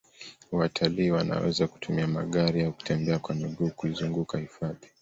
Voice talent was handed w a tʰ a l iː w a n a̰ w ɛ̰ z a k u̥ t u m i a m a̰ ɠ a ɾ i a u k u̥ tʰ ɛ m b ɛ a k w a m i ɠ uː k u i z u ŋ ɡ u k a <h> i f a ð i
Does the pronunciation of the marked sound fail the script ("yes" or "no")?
no